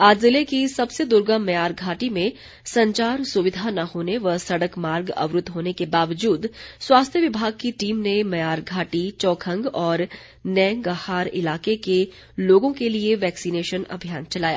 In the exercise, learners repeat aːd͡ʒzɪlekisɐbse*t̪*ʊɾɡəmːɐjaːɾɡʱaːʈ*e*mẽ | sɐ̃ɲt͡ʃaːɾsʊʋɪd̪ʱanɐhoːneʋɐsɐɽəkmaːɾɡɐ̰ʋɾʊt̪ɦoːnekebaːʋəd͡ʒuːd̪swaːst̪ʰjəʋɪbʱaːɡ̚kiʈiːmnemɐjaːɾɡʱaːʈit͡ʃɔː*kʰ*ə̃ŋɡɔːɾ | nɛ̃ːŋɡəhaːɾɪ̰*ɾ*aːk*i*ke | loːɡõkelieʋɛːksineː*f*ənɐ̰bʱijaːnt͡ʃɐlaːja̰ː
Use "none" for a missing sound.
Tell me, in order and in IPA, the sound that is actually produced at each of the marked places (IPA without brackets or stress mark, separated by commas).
d̪, i, kʰ, l, e, ʃ